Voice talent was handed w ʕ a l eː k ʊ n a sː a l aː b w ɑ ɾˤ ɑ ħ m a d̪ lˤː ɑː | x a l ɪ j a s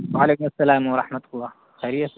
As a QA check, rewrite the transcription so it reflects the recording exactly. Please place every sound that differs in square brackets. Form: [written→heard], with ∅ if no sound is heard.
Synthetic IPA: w ʕ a l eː k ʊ [n→m] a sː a l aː [b→m] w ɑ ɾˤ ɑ ħ m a [d̪→t̪] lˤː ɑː | x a [l→ɾ] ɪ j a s